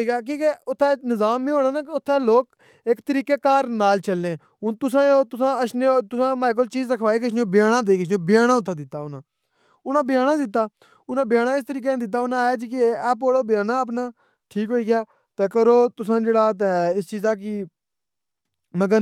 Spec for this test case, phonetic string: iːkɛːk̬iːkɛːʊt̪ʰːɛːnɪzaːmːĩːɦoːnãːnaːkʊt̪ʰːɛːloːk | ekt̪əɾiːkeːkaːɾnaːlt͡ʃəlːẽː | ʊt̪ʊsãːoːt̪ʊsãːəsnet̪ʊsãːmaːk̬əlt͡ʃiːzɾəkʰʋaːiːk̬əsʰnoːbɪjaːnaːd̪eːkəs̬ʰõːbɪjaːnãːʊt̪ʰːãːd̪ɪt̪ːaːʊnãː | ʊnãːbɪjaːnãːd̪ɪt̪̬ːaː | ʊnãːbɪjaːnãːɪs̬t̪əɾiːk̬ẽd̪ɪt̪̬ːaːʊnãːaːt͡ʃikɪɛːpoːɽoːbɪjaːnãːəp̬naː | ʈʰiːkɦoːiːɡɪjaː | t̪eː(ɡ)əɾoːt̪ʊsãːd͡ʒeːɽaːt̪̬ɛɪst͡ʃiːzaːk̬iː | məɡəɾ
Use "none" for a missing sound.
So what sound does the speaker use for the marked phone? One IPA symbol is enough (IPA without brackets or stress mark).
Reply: k